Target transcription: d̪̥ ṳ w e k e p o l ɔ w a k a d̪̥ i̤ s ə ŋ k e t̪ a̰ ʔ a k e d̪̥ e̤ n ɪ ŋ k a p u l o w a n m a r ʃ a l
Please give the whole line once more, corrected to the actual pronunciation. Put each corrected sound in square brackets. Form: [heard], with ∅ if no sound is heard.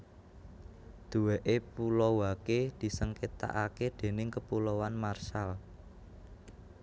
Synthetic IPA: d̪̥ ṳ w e [ʔ] e p [u] l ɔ w a k [e] d̪̥ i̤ s ə ŋ k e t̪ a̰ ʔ a k e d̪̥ e̤ n ɪ ŋ k [ə] p u l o w a n m a r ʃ a l